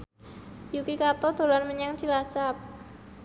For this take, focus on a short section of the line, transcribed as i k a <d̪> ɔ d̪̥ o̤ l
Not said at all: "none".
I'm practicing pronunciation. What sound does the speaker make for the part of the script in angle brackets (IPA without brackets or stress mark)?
t̪